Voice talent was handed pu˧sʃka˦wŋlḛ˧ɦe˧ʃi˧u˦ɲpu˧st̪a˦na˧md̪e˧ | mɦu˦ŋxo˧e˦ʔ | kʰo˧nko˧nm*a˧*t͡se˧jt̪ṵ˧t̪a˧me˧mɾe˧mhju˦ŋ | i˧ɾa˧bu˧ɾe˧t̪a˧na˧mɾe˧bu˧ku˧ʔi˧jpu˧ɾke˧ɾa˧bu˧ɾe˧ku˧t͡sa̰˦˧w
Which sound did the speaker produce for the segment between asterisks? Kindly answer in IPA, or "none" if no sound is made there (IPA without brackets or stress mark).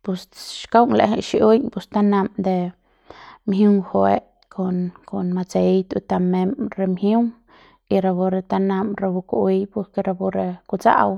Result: a˧